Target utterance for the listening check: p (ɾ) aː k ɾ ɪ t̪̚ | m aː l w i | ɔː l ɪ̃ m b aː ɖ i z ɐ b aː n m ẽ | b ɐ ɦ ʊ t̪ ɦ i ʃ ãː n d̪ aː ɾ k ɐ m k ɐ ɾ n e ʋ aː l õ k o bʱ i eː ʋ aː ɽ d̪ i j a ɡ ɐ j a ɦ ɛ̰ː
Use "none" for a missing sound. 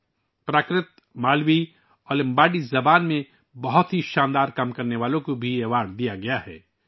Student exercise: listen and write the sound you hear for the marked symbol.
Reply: ɾ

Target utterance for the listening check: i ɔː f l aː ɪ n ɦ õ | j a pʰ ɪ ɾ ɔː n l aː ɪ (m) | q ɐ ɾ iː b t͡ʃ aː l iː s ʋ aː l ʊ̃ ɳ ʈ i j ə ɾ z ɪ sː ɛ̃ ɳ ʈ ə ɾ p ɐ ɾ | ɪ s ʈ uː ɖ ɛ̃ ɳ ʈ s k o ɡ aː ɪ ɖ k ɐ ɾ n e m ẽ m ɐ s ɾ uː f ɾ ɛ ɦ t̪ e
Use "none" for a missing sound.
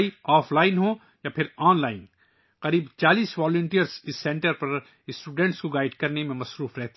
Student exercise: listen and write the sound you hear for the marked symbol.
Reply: n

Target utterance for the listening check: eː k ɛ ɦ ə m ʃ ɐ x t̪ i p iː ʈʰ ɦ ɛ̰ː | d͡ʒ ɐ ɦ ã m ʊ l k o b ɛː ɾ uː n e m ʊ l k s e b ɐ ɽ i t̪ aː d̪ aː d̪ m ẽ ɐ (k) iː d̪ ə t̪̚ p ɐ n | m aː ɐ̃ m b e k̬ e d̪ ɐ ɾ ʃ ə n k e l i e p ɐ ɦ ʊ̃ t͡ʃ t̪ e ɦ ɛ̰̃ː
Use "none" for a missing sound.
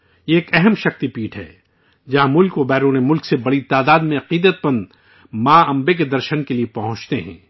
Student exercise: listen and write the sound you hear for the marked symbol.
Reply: q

